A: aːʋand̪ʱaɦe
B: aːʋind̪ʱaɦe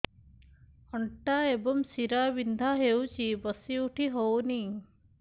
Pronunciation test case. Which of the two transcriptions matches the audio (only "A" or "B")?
B